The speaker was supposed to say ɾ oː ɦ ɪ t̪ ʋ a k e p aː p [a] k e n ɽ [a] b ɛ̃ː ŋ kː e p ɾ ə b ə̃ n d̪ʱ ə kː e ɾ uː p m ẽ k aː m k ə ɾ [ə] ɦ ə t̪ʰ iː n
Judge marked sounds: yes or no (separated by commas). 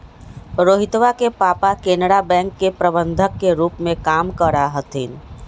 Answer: yes, yes, no